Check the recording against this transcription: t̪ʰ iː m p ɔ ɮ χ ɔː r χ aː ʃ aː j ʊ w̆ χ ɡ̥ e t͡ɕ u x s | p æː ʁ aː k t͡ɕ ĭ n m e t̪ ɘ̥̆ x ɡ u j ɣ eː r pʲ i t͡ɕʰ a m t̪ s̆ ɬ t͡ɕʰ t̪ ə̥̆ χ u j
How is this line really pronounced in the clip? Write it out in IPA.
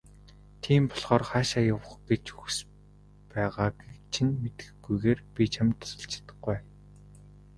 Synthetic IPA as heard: t̪ʰ iː m p ɔ ɮ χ ɔː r χ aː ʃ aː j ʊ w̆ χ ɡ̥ e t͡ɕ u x s | p æː ʁ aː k t͡ɕʰ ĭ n m e t̪ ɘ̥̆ x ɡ u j ɣ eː r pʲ i t͡ɕʰ a m t̪ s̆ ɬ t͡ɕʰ t̪ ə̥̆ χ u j